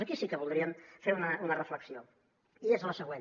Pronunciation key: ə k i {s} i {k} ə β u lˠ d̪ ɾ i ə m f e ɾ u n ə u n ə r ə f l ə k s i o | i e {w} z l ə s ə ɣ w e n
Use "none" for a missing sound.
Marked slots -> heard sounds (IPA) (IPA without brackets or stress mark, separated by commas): s, k, none